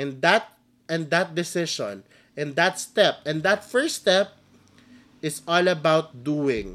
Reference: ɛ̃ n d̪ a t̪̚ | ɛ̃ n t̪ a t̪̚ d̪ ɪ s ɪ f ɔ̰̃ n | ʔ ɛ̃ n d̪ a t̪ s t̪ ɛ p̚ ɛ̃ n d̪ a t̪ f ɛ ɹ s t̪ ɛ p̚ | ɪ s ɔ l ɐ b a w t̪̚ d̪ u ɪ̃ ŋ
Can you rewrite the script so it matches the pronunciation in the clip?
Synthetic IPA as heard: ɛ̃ n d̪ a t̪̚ | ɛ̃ n d̪ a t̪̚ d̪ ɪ s ɪ ʃ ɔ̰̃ n | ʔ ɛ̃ n d̪ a t̪ s t̪ ɛ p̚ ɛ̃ n d̪ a t̪ f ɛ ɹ s t̪ ɛ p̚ | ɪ s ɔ l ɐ b a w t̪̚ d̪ u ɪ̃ ŋ